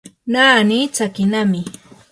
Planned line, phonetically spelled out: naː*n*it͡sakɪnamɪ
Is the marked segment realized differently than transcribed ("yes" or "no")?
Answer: no